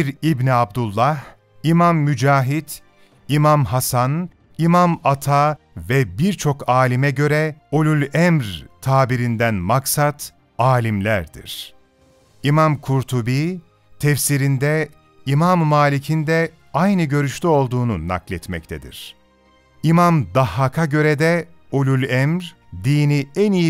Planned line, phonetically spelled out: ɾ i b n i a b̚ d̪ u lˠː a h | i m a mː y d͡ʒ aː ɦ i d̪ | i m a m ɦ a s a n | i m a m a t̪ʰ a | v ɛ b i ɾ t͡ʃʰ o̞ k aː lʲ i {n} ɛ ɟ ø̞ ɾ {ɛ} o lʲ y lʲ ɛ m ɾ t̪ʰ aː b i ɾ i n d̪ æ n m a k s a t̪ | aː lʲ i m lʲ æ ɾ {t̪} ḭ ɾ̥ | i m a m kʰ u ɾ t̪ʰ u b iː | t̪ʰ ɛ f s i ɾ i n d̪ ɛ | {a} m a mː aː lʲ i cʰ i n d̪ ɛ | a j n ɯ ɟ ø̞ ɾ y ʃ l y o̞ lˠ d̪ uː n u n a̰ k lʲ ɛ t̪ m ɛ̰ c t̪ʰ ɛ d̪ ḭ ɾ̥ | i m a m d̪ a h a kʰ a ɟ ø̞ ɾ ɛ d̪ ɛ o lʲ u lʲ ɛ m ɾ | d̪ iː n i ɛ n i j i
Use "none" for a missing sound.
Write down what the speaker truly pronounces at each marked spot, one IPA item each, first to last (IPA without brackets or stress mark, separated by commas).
m, ɛ, d̪, i